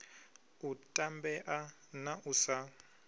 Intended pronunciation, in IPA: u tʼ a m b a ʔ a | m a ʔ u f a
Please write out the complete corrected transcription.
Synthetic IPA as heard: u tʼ a m b ɛ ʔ a | n a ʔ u s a